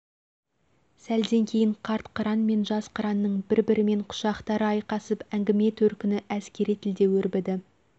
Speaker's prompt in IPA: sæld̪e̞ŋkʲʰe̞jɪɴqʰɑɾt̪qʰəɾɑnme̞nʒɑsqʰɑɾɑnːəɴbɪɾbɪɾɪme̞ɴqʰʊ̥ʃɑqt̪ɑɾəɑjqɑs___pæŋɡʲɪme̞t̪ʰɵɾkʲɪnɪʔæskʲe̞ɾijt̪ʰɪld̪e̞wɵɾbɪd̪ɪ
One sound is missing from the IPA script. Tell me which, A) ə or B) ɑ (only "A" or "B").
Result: A